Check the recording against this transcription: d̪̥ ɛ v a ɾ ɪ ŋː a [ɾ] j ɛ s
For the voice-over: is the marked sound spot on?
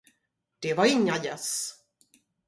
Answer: no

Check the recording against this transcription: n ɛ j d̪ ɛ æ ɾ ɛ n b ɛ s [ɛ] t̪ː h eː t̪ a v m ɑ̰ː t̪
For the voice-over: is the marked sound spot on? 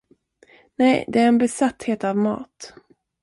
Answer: no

